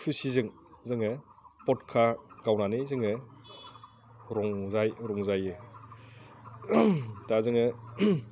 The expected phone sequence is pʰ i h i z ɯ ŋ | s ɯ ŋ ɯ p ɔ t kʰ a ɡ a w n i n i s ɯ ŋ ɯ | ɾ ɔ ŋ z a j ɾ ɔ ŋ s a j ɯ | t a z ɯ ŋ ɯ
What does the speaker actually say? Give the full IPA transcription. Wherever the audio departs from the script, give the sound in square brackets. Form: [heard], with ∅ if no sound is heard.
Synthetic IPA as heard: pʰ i [s] i z ɯ ŋ | [z] ɯ ŋ ɯ p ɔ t kʰ a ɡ a w n [a] n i [z] ɯ ŋ ɯ | ɾ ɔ ŋ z a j ɾ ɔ ŋ [z] a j ɯ | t a z ɯ ŋ ɯ

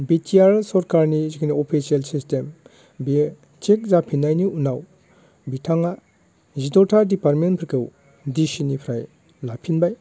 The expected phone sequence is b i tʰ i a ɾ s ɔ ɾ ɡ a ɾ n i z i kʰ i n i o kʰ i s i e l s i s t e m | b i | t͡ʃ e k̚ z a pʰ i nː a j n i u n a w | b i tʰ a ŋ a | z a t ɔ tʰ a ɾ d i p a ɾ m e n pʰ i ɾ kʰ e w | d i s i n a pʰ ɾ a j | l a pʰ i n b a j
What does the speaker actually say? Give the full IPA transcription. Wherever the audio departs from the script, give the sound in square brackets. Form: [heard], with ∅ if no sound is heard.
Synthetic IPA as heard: b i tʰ i a ɾ s ɔ ɾ [k] a ɾ n i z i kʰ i n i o [pʰ] i s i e l s i s t e m | b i | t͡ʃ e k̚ z a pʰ i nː a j n i u n a w | b i tʰ a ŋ a | z [i] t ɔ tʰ a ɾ d i p a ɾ m e n pʰ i ɾ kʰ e w | d i s i n [i] pʰ ɾ a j | l a pʰ i n b a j

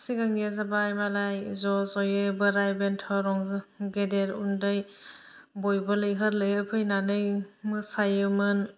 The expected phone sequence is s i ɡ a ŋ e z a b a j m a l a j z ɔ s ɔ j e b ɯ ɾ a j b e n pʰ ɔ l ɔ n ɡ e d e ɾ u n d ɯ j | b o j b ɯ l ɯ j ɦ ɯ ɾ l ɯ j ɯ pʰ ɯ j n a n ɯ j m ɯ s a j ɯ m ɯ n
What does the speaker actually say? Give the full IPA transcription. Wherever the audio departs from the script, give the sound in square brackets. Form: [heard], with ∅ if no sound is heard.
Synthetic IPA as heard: s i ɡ a ŋ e z a b a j m a l a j z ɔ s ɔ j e b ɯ ɾ a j b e n [tʰ] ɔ [ɾ] ɔ [ŋ] ɡ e d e ɾ u n d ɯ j | b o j b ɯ l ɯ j ɦ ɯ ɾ l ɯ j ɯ pʰ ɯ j n a n ɯ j m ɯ s a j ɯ m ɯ n

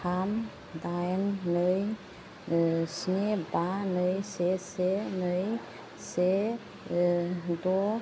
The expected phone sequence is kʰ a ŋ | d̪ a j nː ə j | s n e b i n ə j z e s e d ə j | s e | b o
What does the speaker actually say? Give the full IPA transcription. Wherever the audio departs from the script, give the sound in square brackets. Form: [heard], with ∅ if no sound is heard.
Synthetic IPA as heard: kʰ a [m] | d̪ a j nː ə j | s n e b [a] n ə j [s] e s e [n] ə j | s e | [d] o

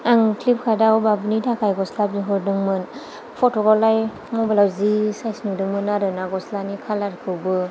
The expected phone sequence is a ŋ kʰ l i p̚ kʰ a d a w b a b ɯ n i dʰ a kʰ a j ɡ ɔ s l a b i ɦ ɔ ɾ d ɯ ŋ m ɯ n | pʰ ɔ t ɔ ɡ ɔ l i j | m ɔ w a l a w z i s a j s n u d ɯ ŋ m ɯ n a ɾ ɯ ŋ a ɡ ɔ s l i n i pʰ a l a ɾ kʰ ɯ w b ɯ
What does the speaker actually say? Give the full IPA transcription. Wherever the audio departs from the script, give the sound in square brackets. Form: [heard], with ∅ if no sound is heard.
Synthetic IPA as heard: a ŋ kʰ l i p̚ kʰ a d a w b a b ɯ n i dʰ a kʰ a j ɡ ɔ s l a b i ɦ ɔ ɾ d ɯ ŋ m ɯ n | pʰ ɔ t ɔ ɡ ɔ l [a] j | m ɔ [b] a l a w z i s a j s n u d ɯ ŋ m ɯ n a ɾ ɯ [n] a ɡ ɔ s l [a] n i [kʰ] a l a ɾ kʰ ɯ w b ɯ

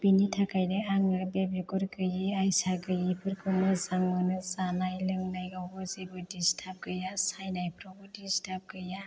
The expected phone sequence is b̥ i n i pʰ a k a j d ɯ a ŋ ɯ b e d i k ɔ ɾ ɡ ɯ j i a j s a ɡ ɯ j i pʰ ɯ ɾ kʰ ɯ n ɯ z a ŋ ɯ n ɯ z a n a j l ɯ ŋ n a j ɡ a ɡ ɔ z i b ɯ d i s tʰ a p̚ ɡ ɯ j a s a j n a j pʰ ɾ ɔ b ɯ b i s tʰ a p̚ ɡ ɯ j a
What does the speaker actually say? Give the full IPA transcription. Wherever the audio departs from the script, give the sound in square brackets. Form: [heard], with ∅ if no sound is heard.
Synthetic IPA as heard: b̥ i n i [tʰ] a k a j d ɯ a ŋ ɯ b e [b] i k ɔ ɾ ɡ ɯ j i a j s a ɡ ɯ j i pʰ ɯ ɾ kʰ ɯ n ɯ z a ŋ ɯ n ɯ z a n a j l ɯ ŋ n a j ɡ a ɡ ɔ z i b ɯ d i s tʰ a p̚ ɡ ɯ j a s a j n a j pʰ ɾ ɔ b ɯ [d] i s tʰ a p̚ ɡ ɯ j a

